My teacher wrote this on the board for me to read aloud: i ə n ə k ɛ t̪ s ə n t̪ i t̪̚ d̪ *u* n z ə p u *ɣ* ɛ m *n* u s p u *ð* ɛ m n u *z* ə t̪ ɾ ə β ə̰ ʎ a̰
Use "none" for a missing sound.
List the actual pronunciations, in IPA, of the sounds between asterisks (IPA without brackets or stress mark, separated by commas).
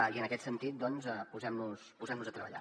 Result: ɔ, z, n, z, z